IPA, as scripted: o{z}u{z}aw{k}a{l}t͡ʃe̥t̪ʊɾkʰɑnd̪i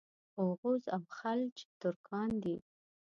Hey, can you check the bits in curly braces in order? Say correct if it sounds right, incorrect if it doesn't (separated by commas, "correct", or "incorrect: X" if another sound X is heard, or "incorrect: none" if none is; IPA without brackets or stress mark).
incorrect: ɣ, correct, incorrect: x, correct